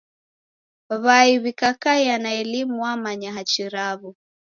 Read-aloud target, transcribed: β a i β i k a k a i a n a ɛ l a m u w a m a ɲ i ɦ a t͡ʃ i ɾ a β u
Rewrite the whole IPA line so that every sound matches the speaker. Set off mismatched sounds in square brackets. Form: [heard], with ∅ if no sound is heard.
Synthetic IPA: β a i β i k a k a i a n a ɛ l [i] m u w a m a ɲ [a] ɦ a t͡ʃ i ɾ a β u